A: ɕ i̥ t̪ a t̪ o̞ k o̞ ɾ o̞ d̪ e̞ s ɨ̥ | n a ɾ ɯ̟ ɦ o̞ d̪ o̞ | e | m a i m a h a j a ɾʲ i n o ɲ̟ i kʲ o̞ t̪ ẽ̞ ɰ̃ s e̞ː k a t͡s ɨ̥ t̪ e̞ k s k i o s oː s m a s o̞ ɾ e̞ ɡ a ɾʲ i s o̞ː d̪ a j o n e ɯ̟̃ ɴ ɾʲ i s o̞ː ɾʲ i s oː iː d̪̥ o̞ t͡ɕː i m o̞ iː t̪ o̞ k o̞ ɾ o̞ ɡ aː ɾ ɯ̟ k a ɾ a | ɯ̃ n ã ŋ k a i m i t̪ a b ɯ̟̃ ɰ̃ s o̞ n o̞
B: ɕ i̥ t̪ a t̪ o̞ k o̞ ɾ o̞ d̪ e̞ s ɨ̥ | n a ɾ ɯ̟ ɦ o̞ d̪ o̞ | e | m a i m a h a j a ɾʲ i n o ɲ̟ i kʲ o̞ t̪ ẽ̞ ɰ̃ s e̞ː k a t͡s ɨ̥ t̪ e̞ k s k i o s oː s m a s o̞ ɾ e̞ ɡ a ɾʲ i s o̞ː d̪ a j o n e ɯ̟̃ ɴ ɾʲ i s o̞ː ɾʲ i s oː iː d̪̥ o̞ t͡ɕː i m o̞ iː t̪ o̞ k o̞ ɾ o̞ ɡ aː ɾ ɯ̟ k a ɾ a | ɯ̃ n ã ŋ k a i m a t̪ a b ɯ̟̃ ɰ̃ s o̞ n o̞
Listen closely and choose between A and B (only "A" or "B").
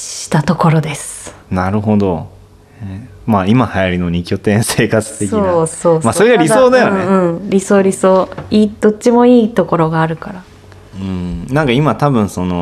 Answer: B